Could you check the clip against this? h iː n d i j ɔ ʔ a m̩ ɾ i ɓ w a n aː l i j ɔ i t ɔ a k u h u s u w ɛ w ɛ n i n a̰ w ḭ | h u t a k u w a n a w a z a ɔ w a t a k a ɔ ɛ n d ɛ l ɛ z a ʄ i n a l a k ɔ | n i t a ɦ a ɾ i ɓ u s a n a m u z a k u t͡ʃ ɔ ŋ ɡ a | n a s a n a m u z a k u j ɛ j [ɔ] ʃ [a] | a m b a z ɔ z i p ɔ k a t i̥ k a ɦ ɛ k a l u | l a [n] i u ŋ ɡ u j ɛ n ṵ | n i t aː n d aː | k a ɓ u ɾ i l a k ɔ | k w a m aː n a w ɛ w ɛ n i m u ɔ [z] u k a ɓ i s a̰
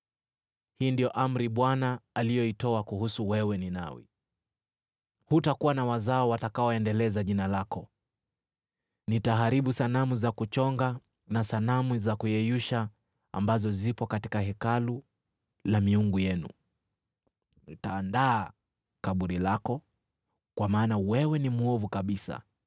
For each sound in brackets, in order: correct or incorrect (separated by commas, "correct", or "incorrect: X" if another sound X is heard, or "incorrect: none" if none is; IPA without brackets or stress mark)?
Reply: incorrect: u, correct, incorrect: m, incorrect: v